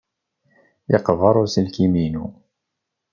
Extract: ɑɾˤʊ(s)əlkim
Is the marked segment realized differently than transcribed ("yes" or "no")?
no